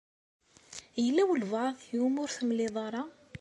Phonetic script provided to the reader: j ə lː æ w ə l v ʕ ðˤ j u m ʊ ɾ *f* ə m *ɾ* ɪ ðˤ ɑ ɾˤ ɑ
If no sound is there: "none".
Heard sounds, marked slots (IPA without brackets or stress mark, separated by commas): θ, l